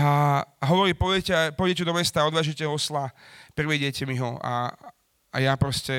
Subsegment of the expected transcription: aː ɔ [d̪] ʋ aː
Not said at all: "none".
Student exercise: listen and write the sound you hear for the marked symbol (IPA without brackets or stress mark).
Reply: d̪